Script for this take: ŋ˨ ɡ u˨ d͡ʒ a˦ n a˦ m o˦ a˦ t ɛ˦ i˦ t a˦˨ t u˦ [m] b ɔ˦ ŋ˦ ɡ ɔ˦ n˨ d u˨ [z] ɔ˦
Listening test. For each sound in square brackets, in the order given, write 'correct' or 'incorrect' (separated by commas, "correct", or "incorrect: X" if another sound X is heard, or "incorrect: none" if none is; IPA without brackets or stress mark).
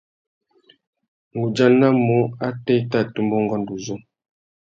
correct, correct